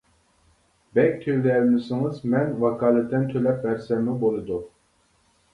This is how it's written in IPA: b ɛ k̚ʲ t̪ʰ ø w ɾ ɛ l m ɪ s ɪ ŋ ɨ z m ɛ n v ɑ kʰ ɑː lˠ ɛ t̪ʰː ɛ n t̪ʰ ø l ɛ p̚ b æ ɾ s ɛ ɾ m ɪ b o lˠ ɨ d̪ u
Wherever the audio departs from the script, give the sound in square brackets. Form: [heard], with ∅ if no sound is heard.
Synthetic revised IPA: b ɛ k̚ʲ t̪ʰ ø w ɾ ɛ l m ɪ s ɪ ŋ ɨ z m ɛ n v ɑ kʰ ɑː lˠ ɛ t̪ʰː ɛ n t̪ʰ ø l ɛ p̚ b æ ɾ s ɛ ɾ m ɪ b o lˠ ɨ d̪ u